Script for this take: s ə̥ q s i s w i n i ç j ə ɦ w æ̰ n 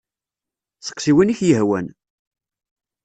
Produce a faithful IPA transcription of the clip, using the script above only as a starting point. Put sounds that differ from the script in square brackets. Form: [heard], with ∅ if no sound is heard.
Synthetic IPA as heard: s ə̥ q s i [∅] w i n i ç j ə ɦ w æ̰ n